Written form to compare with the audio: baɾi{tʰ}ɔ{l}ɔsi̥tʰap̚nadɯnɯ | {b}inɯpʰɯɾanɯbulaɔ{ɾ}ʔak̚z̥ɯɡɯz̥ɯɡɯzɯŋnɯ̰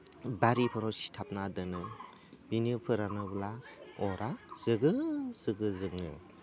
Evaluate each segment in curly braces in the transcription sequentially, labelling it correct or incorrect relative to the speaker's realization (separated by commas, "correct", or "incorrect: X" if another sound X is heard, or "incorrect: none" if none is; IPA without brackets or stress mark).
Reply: incorrect: pʰ, incorrect: ɾ, correct, correct